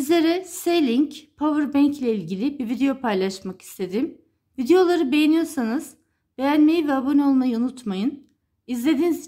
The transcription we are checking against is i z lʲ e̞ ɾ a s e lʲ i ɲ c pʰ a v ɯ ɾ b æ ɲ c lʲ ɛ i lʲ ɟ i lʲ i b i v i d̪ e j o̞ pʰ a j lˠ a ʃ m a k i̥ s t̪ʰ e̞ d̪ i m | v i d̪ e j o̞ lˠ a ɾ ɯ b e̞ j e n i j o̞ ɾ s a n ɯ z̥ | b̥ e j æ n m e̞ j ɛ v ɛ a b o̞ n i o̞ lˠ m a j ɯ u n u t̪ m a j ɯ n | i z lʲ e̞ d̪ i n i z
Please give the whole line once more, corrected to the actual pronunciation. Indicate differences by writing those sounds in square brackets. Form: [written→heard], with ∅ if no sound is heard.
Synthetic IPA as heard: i z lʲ e̞ ɾ [a→ɛ] s e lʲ i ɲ c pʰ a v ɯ ɾ b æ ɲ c lʲ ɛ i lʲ ɟ i lʲ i b i v i d̪ e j o̞ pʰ a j lˠ a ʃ m a k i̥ s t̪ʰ e̞ d̪ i m | v i d̪ e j o̞ lˠ a ɾ ɯ b e̞ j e n i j o̞ ɾ s a n ɯ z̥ | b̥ e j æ n m e̞ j [ɛ→i] v ɛ a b o̞ n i o̞ lˠ m a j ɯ u n u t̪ m a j ɯ n | i z lʲ e̞ d̪ i n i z